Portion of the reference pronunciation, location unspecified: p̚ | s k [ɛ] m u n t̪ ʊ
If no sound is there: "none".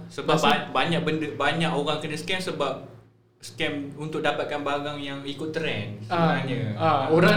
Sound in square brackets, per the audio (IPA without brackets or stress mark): ɛ